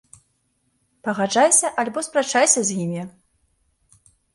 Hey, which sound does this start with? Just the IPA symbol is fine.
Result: p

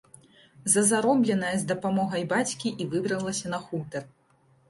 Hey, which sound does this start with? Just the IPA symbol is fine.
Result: z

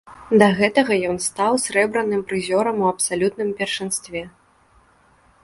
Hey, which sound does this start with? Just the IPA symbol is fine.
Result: d̪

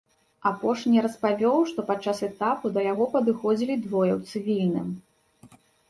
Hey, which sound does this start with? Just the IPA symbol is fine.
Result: a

